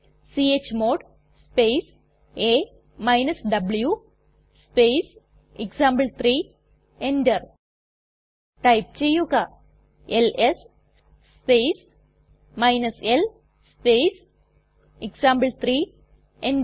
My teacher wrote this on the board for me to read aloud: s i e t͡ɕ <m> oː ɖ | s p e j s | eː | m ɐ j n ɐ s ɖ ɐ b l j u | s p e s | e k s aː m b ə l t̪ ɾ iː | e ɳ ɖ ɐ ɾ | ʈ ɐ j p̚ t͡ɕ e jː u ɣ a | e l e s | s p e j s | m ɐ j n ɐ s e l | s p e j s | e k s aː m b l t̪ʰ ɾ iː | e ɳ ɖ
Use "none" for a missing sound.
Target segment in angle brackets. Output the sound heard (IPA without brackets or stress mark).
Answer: m